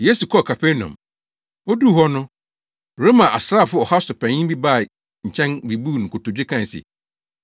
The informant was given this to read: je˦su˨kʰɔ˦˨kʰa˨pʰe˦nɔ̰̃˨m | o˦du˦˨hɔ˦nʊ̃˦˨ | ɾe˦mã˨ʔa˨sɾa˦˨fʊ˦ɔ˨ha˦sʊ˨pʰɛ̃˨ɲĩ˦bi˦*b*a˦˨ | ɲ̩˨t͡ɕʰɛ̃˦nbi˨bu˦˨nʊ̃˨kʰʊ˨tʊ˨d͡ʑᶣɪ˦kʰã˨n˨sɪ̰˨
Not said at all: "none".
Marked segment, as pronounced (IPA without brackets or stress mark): b